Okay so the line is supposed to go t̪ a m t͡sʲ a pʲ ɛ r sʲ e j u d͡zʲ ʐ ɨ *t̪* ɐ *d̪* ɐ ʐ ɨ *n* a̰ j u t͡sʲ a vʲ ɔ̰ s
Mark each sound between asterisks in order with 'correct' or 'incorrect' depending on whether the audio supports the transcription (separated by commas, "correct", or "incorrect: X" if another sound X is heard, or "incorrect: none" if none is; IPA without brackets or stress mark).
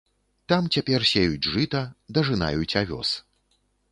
correct, correct, correct